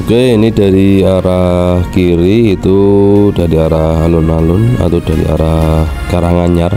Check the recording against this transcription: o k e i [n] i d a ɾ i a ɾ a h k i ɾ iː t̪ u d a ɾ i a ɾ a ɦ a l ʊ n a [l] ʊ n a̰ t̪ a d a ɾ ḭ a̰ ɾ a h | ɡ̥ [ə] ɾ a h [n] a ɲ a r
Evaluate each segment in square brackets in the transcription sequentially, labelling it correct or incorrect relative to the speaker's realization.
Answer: correct, correct, incorrect: a, incorrect: ŋ

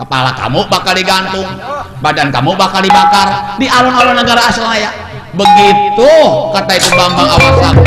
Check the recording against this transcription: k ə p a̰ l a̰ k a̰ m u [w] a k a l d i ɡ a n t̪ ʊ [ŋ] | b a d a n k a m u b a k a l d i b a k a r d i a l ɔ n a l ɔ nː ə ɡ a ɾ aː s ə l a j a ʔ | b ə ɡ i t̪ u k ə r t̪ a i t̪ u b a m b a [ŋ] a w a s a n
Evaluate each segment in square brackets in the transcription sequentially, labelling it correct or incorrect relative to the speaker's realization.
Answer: incorrect: b, correct, correct

